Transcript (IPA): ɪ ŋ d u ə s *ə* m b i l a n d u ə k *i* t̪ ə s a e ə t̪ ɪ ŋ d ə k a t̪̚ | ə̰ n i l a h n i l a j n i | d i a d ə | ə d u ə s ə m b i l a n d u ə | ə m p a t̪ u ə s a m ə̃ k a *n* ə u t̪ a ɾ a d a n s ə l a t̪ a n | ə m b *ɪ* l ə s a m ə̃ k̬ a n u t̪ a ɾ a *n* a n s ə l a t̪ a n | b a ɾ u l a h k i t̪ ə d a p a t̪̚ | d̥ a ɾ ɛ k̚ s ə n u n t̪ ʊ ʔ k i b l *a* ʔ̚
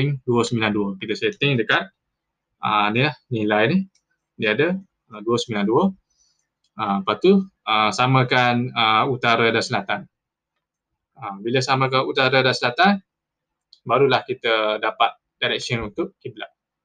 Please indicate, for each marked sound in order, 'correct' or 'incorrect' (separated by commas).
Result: correct, correct, correct, incorrect, incorrect, correct